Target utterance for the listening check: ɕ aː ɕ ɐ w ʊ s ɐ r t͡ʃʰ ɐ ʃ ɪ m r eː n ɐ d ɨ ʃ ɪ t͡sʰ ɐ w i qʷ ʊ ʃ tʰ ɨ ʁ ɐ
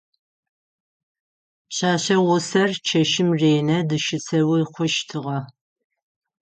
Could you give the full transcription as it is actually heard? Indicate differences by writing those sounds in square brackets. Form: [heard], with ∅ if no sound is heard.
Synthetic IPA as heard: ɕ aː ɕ ɐ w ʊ s ɐ r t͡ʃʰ ɐ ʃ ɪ m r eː n ɐ d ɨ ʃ ɪ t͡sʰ ɐ w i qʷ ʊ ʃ tʰ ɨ ʁ ɐ